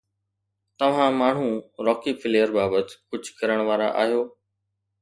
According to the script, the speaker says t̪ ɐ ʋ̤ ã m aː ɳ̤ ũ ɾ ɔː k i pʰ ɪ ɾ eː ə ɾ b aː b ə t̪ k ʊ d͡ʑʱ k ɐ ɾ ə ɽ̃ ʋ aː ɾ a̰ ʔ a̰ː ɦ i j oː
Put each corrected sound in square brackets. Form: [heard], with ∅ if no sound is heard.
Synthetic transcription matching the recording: t̪ ɐ ʋ̤ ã m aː ɳ̤ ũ ɾ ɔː k i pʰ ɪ [l] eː ə ɾ b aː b ə t̪ k ʊ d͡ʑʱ k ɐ ɾ ə ɽ̃ ʋ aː ɾ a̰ ʔ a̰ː ɦ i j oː